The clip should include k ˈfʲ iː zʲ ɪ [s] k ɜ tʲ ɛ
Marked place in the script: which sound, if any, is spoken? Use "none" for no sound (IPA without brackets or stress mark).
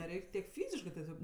ʃ